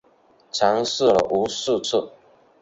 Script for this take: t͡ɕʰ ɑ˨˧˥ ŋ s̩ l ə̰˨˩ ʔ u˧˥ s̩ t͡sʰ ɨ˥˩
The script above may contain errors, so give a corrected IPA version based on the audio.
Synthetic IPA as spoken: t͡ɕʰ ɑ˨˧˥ ŋ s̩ l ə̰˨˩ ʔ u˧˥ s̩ t͡sʰ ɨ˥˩